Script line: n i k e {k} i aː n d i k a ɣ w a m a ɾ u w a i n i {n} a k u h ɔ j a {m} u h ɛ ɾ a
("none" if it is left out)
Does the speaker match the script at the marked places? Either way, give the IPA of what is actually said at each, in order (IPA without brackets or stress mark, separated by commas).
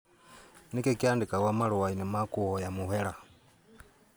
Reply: k, m, m